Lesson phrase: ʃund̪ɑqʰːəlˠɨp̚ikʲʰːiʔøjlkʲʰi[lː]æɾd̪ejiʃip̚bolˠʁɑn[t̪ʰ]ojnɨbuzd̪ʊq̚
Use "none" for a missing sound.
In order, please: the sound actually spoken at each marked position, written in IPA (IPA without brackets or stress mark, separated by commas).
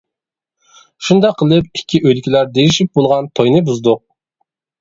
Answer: l, t̪ʰ